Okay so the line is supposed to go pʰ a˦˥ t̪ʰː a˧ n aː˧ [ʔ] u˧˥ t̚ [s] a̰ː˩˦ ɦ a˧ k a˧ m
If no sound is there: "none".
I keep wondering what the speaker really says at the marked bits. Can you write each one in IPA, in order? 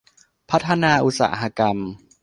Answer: ʔ, s

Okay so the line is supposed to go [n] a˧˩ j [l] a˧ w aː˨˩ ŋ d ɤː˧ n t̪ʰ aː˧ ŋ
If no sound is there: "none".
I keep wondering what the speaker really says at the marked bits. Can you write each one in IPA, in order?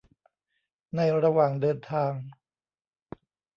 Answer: n, ɾ

